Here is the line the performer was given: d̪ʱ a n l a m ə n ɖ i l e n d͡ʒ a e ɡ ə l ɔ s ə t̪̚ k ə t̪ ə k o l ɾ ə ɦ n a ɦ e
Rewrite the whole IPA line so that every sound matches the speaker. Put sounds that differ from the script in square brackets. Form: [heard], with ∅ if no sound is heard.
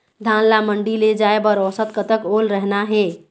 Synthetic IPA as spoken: d̪ʱ a n l a m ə [ɳ] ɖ i l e [∅] d͡ʒ a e [b] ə [ɾ] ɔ s ə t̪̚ k ə t̪ ə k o l ɾ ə ɦ n a ɦ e